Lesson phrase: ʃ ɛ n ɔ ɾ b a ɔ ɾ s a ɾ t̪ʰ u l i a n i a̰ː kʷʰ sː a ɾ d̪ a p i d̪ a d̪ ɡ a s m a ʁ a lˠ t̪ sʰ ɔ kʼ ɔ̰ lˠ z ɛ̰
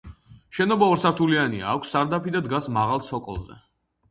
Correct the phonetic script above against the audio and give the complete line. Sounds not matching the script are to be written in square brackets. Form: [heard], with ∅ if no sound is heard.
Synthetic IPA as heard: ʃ ɛ n ɔ [∅] b a ɔ ɾ s a ɾ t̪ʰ u l i a n i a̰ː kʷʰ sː a ɾ d̪ a p i d̪ a d̪ ɡ a s m a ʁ a lˠ t̪ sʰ ɔ kʼ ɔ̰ lˠ z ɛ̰